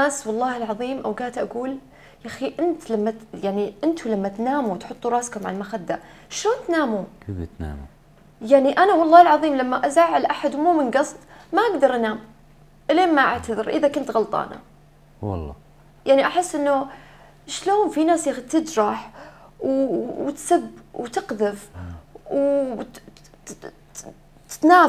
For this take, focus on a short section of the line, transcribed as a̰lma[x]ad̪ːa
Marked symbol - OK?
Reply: yes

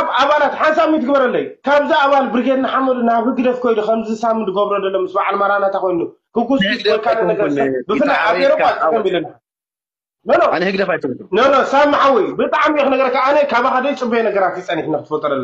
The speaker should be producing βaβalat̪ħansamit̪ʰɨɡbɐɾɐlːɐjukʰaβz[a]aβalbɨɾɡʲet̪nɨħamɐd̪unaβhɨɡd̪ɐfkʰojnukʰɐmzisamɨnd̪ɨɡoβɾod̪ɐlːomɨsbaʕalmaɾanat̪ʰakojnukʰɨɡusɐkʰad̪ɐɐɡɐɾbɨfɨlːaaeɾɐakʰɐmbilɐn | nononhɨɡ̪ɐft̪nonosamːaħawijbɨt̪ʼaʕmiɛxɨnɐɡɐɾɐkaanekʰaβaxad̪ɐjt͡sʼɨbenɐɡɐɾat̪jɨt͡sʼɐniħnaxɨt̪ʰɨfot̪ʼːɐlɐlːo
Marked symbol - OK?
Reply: no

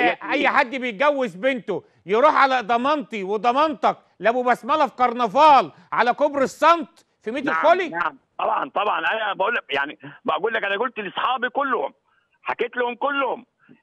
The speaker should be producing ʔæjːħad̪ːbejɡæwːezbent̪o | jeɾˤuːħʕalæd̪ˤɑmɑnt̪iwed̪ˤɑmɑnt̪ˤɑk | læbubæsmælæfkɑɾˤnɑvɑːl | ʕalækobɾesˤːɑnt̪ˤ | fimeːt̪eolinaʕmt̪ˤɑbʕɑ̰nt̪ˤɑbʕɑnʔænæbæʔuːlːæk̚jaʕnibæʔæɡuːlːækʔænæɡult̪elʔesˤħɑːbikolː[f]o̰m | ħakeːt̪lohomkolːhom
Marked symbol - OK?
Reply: no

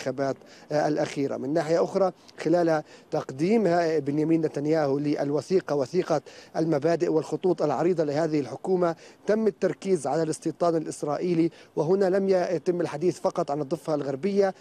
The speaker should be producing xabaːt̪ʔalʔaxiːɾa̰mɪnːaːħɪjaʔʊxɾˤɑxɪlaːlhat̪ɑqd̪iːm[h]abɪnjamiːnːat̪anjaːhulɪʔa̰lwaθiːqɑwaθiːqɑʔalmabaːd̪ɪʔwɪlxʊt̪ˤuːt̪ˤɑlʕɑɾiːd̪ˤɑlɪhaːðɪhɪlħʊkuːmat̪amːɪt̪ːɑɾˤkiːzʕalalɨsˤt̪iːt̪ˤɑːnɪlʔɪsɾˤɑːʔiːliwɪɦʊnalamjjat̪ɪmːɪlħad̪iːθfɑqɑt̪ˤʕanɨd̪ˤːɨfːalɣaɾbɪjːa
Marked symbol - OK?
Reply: yes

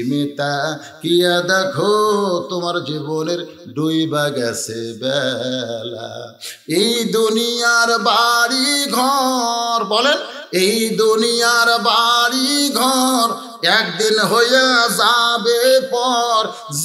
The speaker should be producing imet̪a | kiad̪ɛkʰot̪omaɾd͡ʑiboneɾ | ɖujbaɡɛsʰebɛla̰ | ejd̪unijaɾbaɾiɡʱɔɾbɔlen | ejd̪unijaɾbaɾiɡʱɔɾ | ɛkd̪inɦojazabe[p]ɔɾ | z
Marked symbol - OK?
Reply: yes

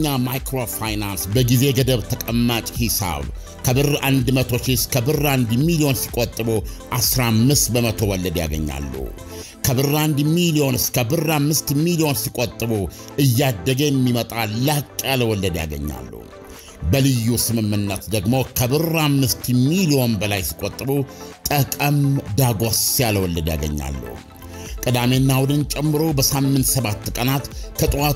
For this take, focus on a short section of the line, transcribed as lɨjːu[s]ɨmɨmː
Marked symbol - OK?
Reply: yes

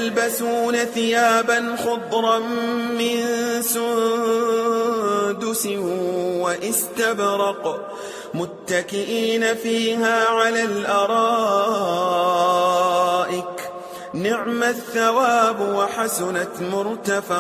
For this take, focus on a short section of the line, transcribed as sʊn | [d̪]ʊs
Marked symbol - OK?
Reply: yes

